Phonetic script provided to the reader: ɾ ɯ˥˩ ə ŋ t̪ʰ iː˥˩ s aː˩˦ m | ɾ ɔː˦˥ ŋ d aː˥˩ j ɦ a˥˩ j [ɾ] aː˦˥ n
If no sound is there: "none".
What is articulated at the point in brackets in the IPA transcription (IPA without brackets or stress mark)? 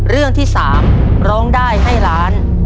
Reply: ɾ